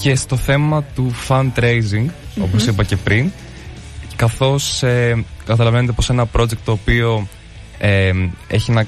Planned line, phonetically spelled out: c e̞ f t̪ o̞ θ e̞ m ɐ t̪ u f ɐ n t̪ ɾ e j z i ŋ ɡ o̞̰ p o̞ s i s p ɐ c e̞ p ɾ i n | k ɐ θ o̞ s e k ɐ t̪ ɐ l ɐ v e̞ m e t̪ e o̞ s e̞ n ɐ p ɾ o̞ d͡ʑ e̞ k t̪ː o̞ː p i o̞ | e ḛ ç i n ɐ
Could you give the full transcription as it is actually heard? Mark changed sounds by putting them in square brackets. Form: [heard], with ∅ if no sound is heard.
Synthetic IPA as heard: c e̞ [s] t̪ o̞ θ e̞ m ɐ t̪ u f ɐ n t̪ ɾ e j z i ŋ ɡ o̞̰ p o̞ s i [∅] p ɐ c e̞ p ɾ i n | k ɐ θ o̞ s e k ɐ t̪ ɐ l ɐ v e̞ [n] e t̪ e o̞ s e̞ n ɐ p ɾ o̞ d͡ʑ e̞ k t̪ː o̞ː p i o̞ | e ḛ ç i n ɐ